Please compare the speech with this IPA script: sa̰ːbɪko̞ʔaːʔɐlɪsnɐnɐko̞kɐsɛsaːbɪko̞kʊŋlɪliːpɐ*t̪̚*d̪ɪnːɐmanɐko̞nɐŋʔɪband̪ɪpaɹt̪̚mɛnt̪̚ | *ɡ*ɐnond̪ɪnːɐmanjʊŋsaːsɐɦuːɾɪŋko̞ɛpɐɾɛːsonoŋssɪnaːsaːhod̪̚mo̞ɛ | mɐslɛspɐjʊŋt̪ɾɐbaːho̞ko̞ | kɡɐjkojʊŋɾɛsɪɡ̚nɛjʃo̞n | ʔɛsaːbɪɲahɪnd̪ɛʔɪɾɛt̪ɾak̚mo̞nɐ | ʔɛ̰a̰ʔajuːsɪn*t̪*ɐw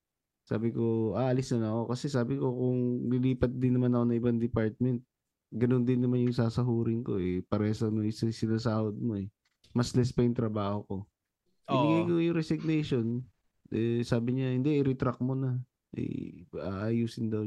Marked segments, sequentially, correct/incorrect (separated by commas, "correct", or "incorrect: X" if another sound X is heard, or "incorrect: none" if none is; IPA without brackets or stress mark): correct, correct, incorrect: d̪